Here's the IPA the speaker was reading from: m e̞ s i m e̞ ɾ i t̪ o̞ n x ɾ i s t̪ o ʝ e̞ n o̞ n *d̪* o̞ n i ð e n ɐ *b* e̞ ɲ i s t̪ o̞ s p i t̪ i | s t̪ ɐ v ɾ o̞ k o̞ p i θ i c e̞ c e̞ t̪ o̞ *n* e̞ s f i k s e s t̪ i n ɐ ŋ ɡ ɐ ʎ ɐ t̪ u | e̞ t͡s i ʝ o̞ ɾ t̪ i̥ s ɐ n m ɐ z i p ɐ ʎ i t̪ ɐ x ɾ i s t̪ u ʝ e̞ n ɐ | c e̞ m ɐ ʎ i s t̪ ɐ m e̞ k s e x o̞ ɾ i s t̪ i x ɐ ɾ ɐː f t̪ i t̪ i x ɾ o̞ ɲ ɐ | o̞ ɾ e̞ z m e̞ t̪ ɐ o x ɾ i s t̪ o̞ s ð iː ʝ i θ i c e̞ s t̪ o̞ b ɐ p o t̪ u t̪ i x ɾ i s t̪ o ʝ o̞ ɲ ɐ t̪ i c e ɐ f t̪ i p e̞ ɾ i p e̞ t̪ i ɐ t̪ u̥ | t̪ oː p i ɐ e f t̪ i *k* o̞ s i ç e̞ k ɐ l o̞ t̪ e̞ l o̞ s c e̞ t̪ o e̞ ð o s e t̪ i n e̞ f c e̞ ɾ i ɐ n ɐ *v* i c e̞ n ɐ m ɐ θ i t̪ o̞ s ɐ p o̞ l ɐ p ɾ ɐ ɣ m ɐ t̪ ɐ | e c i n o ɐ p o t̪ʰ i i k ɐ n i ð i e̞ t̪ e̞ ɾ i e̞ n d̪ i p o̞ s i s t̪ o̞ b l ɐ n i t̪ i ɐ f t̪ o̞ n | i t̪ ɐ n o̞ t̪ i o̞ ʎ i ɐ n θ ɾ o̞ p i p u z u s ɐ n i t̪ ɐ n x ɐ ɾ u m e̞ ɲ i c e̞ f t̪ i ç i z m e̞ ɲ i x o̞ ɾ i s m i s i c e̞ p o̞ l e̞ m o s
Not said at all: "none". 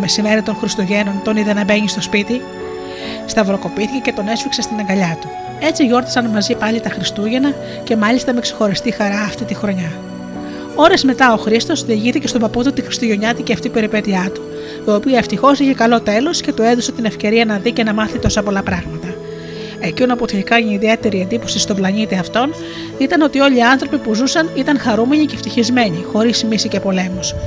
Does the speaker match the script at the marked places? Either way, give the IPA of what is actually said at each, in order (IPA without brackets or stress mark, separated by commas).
t̪, b, n, x, ð